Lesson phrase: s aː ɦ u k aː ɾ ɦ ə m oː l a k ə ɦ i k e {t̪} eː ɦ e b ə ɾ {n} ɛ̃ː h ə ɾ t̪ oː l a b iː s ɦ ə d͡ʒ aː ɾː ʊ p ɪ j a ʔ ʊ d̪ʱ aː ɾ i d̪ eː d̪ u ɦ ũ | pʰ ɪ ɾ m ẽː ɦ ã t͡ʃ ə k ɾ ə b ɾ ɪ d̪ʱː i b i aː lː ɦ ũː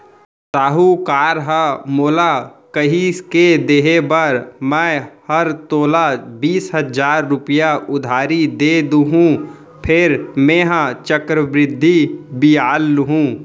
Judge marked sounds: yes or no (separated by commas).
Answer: no, no